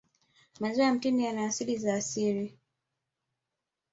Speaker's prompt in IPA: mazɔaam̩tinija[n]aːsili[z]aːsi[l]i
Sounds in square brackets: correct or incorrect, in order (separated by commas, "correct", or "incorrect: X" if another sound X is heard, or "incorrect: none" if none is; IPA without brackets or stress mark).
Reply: correct, correct, incorrect: ɾ